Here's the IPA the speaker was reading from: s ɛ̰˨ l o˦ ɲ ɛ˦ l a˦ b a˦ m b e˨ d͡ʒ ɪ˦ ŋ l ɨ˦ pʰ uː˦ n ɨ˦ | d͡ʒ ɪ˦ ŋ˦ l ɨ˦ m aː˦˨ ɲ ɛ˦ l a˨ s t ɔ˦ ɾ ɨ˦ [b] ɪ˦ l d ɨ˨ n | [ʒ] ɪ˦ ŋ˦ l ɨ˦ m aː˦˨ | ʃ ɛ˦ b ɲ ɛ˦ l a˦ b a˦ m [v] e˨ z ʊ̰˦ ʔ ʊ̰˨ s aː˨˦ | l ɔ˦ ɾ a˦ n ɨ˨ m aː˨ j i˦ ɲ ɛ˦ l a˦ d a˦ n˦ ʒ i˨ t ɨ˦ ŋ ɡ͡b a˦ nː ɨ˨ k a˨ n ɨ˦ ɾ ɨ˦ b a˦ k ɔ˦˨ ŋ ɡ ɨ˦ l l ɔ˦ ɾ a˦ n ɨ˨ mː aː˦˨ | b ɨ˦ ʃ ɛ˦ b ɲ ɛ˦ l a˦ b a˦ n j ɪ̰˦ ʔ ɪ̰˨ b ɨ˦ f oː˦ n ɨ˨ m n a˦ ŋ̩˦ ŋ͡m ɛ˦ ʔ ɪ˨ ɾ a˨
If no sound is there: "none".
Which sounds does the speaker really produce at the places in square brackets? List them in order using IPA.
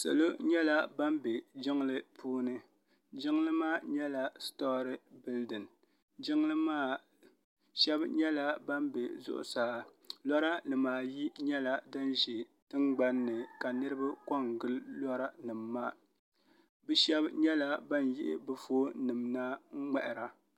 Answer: b, d͡ʒ, b

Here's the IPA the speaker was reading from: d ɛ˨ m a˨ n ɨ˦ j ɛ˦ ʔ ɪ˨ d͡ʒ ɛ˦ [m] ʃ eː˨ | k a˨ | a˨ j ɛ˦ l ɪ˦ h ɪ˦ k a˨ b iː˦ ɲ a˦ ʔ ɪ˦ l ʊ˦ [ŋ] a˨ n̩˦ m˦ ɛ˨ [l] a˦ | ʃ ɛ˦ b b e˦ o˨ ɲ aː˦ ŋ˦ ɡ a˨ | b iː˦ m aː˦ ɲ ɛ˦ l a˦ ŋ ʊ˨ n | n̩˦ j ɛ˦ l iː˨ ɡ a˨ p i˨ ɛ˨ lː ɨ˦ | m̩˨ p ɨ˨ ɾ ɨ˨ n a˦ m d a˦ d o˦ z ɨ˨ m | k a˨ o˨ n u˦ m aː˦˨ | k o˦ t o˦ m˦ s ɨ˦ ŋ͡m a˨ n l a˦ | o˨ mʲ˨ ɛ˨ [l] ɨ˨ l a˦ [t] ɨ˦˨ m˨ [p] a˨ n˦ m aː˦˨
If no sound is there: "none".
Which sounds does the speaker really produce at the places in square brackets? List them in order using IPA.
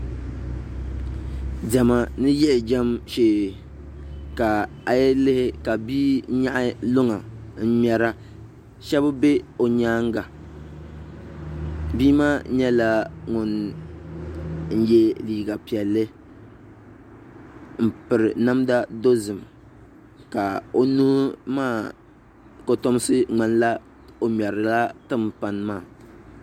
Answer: m, ŋ, ɾ, ɾ, t, p

